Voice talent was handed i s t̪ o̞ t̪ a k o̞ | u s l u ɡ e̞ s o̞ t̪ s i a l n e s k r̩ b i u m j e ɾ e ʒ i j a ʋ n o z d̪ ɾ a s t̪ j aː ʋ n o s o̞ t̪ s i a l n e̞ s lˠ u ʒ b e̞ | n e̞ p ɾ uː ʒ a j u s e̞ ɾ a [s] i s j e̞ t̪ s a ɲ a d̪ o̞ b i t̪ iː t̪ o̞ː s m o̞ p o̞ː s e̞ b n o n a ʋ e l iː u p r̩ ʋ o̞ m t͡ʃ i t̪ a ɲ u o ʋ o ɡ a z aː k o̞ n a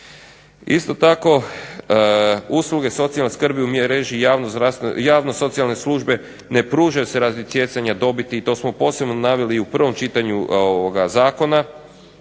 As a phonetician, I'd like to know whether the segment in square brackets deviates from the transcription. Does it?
yes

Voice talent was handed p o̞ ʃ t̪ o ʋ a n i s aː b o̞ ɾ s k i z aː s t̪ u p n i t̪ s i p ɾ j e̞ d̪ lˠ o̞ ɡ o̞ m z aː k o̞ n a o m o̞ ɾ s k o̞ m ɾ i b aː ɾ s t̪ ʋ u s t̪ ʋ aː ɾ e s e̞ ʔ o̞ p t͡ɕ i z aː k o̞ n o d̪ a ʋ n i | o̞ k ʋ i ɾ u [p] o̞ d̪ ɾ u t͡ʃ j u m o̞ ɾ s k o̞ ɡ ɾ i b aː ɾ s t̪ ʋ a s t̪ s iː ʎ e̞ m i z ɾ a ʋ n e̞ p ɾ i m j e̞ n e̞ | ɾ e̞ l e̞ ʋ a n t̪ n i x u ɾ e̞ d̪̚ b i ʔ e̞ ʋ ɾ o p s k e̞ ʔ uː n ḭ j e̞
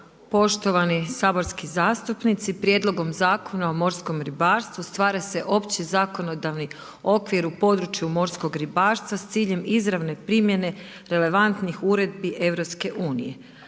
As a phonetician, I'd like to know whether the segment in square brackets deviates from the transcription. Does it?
no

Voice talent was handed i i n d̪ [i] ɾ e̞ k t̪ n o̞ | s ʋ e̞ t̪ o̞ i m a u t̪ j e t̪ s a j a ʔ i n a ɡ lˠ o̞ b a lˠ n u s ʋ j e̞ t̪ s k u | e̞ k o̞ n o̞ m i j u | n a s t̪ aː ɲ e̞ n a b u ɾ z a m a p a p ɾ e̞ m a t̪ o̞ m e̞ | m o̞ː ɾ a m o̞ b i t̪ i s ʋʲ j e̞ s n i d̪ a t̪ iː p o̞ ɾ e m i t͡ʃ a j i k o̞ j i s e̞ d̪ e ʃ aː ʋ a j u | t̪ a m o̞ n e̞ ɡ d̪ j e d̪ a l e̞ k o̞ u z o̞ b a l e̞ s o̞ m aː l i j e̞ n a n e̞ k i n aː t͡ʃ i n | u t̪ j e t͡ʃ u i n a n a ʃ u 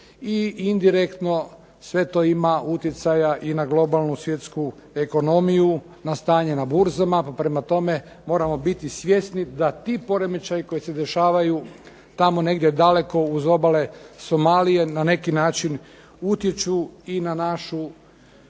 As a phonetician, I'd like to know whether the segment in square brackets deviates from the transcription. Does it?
no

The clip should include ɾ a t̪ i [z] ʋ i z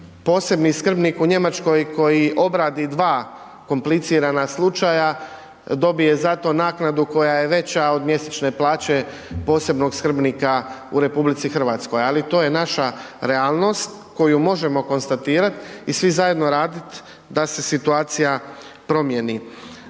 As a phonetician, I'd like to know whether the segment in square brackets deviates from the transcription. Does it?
yes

